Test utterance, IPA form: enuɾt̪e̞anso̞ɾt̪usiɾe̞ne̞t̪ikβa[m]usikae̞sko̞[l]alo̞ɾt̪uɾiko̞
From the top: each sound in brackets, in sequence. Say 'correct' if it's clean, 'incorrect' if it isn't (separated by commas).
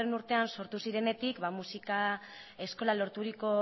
correct, correct